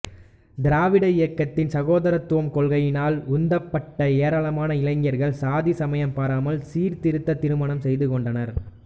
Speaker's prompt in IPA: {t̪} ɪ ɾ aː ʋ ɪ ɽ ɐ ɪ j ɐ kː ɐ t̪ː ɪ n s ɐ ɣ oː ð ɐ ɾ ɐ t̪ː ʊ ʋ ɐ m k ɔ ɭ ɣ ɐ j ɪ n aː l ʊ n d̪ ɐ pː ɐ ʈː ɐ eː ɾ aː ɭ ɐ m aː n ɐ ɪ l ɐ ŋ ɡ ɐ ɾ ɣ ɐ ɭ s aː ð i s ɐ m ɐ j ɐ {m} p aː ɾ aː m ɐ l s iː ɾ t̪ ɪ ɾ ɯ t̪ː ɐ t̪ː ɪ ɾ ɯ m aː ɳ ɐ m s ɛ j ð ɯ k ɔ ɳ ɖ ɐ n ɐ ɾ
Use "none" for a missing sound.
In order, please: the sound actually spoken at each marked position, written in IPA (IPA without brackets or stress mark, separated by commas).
d̪, m